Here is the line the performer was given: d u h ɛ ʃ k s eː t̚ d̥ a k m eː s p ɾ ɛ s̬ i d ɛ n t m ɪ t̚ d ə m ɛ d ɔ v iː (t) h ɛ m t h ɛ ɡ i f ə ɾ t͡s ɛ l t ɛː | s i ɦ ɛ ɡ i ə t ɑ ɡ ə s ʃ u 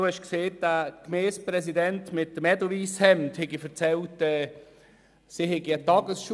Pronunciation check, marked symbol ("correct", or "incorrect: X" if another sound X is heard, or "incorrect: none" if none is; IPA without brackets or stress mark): incorrect: s